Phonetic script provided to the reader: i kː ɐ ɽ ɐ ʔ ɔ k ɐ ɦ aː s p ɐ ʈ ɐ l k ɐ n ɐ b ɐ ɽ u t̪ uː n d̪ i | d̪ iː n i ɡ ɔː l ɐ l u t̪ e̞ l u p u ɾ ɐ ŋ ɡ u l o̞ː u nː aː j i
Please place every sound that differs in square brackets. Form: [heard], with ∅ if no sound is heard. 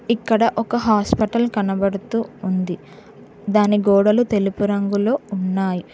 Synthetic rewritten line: i kː ɐ ɽ ɐ ʔ ɔ k ɐ ɦ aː s p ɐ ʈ ɐ l k ɐ n ɐ b ɐ ɽ u t̪ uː n d̪ i | d̪ [aː] n i ɡ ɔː [ɽ] ɐ l u t̪ e̞ l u p u ɾ ɐ ŋ ɡ u l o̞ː u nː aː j i

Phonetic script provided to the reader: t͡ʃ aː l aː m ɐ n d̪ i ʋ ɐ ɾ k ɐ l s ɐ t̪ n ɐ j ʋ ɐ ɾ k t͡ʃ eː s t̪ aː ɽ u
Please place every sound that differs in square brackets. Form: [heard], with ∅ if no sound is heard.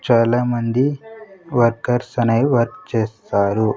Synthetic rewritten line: t͡ʃ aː l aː m ɐ n d̪ i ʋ ɐ ɾ k ɐ [ɾ] s ɐ [∅] n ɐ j ʋ ɐ ɾ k t͡ʃ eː s t̪ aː [ɾ] u

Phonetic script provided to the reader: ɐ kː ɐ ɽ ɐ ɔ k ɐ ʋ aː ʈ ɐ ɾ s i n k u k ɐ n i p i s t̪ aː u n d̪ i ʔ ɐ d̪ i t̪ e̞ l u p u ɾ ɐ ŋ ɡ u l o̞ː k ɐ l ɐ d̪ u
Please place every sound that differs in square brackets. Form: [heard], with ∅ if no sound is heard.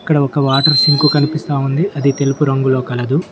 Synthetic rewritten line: ɐ kː ɐ ɽ ɐ ɔ k ɐ ʋ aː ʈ ɐ ɾ s i [ŋ] k u k ɐ n i p i s t̪ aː u n d̪ i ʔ ɐ d̪ i t̪ e̞ l u p u ɾ ɐ ŋ ɡ u l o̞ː k ɐ l ɐ d̪ u

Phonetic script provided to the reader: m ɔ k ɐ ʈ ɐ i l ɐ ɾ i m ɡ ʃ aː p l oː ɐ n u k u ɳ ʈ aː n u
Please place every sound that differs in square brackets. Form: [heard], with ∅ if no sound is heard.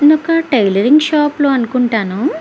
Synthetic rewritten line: [n] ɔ k ɐ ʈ ɐ [j] l ɐ ɾ i [ŋ] ɡ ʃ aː p l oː ɐ n u k u ɳ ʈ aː n u

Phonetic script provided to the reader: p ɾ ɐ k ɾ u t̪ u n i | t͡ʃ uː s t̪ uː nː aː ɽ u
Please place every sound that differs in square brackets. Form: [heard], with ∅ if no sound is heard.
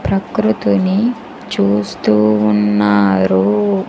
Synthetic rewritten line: p ɾ ɐ k ɾ u t̪ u n i | t͡ʃ uː s t̪ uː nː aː [ɾ] u

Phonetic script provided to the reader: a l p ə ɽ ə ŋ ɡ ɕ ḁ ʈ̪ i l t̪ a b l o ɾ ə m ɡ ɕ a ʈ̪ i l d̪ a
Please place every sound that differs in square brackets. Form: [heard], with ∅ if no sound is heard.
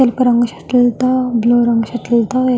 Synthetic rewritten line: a l p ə [ɾ] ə ŋ ɡ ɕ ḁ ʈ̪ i l t̪ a b l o ɾ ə [ŋ] ɡ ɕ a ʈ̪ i l [t̪] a

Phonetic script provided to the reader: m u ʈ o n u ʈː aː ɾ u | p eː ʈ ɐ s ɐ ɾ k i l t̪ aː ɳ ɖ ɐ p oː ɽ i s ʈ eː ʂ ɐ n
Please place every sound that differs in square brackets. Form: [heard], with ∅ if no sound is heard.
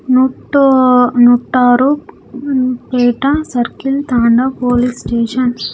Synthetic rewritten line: [n] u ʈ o n u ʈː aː ɾ u | p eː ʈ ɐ s ɐ ɾ k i l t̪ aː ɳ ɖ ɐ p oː [l] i s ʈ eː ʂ ɐ n

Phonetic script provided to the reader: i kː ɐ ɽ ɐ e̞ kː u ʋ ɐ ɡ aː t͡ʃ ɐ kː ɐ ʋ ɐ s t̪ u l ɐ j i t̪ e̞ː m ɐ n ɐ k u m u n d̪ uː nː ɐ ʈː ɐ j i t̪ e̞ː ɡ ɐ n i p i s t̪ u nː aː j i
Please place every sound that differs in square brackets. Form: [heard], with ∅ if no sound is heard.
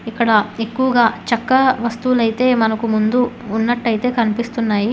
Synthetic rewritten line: i kː ɐ ɽ ɐ e̞ kː u ʋ ɐ ɡ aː t͡ʃ ɐ kː ɐ ʋ ɐ s t̪ u l ɐ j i t̪ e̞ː m ɐ n ɐ k u m u n d̪ uː nː ɐ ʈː ɐ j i t̪ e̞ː [k] ɐ n i p i s t̪ u nː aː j i

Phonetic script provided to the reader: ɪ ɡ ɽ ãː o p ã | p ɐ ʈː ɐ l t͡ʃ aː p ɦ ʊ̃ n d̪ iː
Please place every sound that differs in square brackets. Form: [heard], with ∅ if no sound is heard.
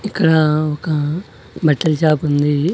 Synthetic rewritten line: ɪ [k] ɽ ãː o [k] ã | [b] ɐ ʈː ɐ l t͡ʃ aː p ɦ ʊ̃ n d̪ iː

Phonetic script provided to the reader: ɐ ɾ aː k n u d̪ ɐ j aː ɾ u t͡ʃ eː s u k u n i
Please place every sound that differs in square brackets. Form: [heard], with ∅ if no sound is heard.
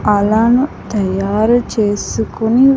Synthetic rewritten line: ɐ [l] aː [∅] n u [t̪] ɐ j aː ɾ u t͡ʃ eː s u k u n i

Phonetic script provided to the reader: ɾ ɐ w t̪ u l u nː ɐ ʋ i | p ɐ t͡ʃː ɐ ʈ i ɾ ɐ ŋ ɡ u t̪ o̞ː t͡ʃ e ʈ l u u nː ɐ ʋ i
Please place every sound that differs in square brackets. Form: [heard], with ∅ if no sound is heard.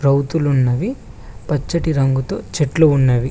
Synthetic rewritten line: ɾ ɐ w t̪ u l u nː ɐ ʋ i | p ɐ t͡ʃː ɐ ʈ i ɾ ɐ ŋ ɡ u t̪ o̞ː t͡ʃ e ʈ l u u nː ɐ ʋ i

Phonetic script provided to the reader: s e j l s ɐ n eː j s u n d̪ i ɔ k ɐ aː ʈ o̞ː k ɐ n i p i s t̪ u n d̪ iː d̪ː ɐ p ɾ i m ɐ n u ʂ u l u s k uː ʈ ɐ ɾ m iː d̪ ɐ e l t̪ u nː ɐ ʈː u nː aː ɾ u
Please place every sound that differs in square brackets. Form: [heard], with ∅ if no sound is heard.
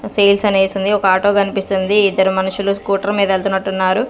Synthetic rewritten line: s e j l s ɐ n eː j s u n d̪ i ɔ k ɐ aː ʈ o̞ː k ɐ n i p i s t̪ u n d̪ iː d̪ː ɐ [∅] ɾ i m ɐ n u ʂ u l u s k uː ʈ ɐ ɾ m iː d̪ ɐ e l t̪ u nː ɐ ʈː u nː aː ɾ u

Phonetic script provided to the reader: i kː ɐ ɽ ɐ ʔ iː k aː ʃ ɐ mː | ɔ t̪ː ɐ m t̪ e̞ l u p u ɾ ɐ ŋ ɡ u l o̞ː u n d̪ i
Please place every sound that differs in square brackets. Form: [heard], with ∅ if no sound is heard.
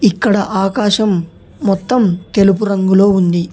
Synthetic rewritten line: i kː ɐ ɽ ɐ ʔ [aː] k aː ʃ ɐ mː | ɔ t̪ː ɐ m t̪ e̞ l u p u ɾ ɐ ŋ ɡ u l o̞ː u n d̪ i

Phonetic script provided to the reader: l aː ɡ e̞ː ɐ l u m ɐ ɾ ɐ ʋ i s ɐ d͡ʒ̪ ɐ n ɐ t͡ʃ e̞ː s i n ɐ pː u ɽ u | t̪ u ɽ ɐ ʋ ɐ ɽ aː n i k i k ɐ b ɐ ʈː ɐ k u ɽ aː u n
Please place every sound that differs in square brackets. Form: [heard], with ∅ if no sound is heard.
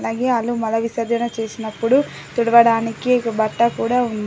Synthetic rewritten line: l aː ɡ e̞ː ɐ l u m ɐ [l] ɐ ʋ i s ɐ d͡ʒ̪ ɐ n ɐ t͡ʃ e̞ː s i n ɐ pː u ɽ u | t̪ u ɽ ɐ ʋ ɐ ɽ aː n i k i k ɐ b ɐ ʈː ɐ k [uː] ɽ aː u n

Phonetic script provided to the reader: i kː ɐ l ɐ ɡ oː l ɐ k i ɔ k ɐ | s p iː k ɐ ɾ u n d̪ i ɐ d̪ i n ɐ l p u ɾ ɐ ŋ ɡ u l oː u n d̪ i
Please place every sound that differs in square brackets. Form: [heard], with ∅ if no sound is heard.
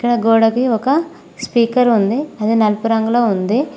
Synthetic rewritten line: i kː ɐ [ɽ] ɐ ɡ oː [ɽ] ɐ k i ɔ k ɐ | s p iː k ɐ ɾ u n d̪ i ɐ d̪ i n ɐ l p u ɾ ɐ ŋ ɡ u l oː u n d̪ i

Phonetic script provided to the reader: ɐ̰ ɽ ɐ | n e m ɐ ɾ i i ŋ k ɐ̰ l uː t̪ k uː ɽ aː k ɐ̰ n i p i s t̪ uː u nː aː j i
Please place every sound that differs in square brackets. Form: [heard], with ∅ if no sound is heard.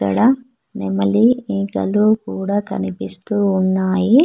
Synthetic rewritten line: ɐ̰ ɽ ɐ | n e m ɐ [l] i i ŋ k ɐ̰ l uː [∅] k uː ɽ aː k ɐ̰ n i p i s t̪ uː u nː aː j i

